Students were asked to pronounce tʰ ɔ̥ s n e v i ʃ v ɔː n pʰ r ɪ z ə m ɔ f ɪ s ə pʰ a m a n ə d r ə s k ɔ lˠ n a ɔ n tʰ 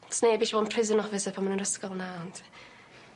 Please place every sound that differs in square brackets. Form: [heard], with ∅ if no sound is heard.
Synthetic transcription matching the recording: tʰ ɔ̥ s n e [b] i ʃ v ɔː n pʰ r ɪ z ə [n] ɔ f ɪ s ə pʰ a m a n ə [n] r ə s k ɔ lˠ n a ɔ n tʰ

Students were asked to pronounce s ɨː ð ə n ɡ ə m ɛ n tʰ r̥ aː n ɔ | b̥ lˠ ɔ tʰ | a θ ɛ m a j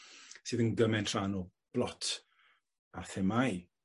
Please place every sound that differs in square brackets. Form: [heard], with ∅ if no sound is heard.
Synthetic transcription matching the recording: s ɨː ð ə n ɡ ə m ɛ n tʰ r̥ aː n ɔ | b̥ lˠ ɔ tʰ | a θ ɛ m a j

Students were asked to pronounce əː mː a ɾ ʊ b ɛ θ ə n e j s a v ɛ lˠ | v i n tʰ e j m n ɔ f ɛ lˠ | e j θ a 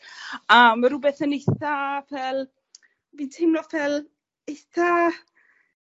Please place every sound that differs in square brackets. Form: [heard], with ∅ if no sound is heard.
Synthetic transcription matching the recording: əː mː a ɾ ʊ b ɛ θ ə n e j [θ] a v ɛ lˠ | v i n tʰ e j m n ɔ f ɛ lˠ | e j θ a

